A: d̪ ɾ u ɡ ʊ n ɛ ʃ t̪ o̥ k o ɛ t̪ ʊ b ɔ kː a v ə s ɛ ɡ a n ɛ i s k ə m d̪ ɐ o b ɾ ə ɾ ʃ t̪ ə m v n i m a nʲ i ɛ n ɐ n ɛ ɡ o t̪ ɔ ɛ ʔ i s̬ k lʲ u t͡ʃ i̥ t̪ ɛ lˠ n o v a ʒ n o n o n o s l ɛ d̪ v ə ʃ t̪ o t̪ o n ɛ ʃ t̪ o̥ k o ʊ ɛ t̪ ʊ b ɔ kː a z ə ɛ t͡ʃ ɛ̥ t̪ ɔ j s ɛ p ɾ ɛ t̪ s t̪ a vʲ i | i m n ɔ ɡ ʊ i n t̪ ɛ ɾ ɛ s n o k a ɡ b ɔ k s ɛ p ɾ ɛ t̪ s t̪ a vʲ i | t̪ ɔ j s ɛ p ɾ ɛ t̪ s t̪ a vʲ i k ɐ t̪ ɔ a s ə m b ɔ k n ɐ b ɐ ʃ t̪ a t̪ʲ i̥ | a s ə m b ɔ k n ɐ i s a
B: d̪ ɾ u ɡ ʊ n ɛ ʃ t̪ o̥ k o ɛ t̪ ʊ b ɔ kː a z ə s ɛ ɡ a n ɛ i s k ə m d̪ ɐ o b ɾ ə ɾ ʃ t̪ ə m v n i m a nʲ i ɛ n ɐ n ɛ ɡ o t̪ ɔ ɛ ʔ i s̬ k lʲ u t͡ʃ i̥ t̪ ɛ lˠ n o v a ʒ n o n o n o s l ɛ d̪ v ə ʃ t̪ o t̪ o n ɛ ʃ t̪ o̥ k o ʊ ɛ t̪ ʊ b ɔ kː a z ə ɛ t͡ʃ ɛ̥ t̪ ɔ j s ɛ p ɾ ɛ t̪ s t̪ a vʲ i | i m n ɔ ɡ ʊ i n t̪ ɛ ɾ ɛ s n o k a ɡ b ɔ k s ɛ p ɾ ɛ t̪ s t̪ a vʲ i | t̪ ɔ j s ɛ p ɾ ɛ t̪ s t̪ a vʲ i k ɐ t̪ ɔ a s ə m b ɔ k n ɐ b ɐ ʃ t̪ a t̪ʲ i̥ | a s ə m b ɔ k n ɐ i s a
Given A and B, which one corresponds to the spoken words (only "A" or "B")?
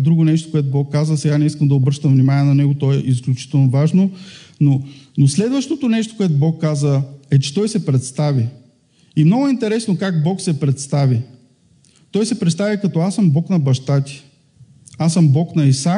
B